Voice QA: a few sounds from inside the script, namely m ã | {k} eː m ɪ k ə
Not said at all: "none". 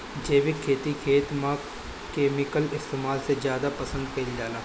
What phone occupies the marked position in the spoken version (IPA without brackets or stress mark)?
k